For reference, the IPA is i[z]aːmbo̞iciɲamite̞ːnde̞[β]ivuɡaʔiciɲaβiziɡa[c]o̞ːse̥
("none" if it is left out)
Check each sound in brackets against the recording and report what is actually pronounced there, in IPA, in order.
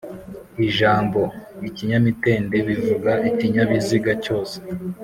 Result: ʒ, β, c

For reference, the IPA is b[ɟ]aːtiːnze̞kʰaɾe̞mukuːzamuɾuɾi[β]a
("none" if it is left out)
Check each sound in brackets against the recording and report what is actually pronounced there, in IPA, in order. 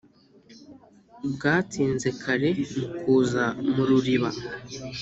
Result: ɡ, β

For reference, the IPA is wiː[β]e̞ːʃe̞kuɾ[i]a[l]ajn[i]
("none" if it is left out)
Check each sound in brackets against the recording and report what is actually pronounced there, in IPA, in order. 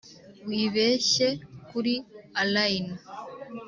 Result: β, i, l, a

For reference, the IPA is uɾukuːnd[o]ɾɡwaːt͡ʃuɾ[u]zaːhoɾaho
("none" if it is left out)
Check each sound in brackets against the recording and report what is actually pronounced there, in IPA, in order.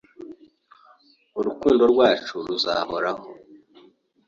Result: o, u

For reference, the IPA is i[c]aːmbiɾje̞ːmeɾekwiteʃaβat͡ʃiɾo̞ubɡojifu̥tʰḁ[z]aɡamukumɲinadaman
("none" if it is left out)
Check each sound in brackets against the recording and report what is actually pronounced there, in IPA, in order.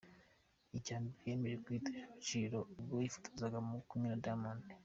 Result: c, z

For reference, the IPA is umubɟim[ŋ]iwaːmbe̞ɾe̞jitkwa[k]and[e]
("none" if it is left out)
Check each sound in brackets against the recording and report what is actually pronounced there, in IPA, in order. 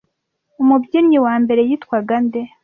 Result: ɲ, ɡ, e

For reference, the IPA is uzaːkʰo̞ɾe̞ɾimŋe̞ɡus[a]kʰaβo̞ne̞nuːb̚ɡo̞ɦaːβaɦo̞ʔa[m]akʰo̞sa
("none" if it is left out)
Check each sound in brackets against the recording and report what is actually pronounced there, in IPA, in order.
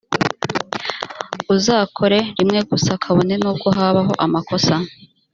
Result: a, m

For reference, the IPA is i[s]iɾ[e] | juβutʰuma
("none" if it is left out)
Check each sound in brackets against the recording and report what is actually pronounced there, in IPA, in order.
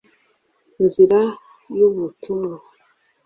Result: z, a

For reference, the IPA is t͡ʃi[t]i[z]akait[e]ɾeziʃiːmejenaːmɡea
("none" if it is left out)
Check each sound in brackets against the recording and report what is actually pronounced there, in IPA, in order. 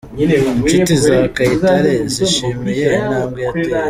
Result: t, z, a

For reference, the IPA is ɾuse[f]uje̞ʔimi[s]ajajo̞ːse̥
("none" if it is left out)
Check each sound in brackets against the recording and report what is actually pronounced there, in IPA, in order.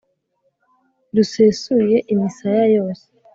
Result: s, s

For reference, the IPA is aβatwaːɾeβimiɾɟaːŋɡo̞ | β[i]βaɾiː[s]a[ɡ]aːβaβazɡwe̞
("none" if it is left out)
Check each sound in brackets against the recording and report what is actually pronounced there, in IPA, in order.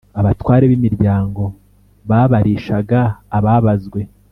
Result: a, ʃ, ɡ

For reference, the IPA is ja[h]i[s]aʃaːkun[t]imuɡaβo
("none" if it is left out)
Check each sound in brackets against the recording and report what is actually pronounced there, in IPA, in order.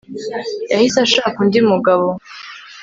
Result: h, s, d

